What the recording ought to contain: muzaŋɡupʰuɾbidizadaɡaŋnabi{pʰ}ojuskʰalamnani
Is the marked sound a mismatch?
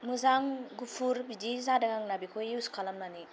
yes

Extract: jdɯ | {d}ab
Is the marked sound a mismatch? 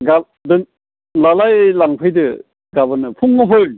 yes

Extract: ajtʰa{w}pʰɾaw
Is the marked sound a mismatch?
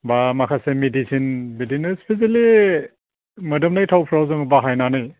no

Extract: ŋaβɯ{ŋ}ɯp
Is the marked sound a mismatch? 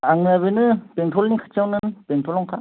yes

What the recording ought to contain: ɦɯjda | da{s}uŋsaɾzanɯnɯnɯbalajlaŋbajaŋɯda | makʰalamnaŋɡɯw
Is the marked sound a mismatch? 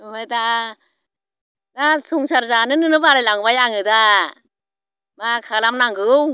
no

